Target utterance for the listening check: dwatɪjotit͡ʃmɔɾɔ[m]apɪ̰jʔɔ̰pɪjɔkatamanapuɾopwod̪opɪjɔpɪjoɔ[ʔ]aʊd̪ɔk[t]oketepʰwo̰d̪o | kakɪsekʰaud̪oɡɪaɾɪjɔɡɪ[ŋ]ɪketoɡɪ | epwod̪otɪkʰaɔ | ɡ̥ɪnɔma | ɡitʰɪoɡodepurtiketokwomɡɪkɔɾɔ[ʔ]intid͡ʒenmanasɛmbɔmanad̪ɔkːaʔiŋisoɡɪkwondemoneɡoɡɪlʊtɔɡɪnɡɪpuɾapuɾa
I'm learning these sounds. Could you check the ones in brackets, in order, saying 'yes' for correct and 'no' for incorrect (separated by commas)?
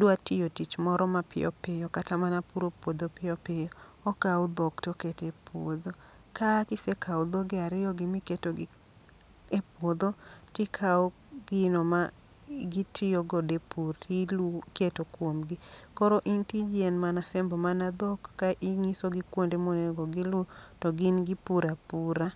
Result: yes, no, yes, no, yes